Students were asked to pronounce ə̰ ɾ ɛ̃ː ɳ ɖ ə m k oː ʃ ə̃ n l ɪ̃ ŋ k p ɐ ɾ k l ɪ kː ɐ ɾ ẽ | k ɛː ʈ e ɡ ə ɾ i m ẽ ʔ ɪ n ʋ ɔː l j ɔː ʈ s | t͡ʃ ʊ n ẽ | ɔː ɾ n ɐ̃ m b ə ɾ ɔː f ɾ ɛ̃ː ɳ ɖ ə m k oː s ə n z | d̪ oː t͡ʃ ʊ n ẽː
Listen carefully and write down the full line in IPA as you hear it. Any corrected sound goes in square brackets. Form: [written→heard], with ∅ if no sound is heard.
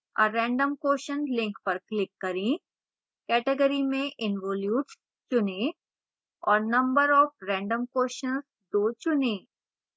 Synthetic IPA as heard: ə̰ ɾ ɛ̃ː ɳ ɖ ə m k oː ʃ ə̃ n l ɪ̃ ŋ k p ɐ ɾ k l ɪ kː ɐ ɾ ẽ | k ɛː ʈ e ɡ ə ɾ i m ẽ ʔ ɪ n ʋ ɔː l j [ɔː→uː] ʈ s | t͡ʃ ʊ n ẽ | ɔː ɾ n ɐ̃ m b ə ɾ ɔː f ɾ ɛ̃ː ɳ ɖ ə m k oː [s→ʃ] ə n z | d̪ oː t͡ʃ ʊ n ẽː